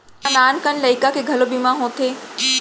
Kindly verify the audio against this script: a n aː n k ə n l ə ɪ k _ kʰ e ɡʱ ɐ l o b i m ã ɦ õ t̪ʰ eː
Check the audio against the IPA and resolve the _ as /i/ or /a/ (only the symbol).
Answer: a